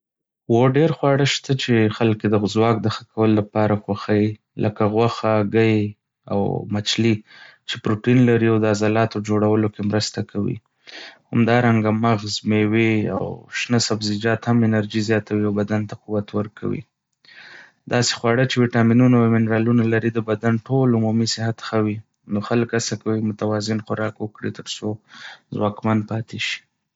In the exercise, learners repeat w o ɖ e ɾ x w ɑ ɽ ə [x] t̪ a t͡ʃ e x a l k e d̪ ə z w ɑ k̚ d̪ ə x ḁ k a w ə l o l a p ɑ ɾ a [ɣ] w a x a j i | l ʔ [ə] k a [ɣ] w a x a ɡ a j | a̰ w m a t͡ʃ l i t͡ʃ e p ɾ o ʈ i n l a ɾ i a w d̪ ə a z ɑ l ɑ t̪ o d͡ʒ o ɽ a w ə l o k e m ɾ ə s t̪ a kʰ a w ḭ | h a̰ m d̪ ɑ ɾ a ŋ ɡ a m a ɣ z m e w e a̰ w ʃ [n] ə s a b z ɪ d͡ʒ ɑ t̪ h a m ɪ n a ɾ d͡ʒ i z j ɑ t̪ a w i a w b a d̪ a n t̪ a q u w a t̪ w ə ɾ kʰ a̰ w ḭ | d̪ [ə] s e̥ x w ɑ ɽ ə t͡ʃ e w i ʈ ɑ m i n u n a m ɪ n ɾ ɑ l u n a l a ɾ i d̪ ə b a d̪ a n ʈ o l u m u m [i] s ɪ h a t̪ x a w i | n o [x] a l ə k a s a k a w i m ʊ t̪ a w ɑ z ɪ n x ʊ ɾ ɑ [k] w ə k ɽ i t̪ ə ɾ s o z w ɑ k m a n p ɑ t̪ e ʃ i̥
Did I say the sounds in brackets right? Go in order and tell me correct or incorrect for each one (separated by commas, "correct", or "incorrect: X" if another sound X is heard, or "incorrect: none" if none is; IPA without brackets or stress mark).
incorrect: ʃ, incorrect: x, correct, correct, correct, incorrect: ɑ, correct, correct, correct